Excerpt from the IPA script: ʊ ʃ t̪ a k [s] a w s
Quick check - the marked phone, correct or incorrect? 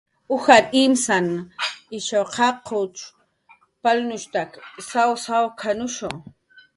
correct